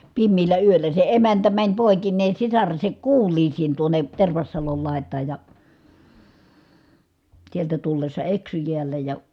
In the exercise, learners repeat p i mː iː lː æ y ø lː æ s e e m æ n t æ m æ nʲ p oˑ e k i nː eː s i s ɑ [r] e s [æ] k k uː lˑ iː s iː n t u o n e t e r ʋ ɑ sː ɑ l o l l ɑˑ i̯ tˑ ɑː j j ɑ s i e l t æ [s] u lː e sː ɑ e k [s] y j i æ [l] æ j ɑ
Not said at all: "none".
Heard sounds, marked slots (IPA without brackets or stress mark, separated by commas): r, e, t, s, lː